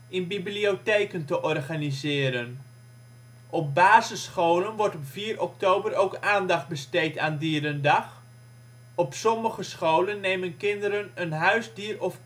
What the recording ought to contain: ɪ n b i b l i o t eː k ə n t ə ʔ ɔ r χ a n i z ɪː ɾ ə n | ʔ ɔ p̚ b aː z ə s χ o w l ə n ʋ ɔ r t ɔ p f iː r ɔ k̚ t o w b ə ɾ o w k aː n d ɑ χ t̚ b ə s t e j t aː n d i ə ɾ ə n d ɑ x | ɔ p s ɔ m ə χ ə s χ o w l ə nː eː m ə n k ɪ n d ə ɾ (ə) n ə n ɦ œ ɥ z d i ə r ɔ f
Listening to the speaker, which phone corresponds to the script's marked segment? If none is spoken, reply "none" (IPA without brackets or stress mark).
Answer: ə